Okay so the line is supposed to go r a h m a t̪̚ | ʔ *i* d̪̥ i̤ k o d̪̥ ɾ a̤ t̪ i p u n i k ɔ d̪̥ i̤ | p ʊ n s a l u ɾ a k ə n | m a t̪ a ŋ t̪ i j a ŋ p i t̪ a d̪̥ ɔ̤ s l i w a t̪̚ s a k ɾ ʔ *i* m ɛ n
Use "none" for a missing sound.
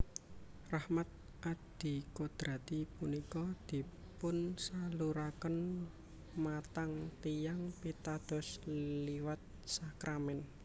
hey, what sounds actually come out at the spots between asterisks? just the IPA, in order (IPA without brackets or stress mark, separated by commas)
a, a